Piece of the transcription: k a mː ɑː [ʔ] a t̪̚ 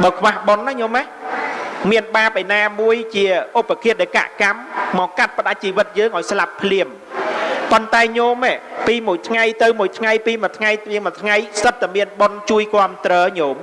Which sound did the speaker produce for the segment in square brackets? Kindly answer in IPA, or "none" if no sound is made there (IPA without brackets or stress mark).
k